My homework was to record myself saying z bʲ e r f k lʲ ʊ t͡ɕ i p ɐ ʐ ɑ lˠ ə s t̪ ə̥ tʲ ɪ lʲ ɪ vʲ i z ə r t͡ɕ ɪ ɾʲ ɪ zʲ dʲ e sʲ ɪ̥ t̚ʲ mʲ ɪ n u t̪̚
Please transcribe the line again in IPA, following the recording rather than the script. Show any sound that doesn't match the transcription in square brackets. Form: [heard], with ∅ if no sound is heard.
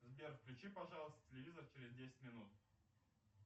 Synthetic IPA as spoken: z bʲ e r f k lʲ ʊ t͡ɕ i p ɐ ʐ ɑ lˠ ə s t̪ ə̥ tʲ ɪ lʲ ɪ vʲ i z ə r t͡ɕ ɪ ɾʲ ɪ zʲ dʲ e sʲ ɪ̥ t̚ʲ mʲ ɪ n u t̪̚